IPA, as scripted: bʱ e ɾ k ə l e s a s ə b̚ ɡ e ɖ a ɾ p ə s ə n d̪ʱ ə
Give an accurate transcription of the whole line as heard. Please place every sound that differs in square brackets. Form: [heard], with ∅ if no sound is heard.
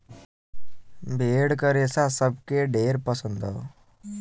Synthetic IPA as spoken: bʱ e [ɽ] k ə [ɾ] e s a s ə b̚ [k] e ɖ [e] ɾ p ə s ə n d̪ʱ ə